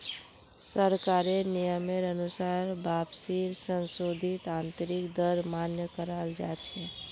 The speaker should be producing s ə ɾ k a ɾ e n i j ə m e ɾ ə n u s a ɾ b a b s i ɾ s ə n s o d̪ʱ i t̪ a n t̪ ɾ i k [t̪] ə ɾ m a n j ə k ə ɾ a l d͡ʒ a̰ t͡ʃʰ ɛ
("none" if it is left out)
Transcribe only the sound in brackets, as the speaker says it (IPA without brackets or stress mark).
d̪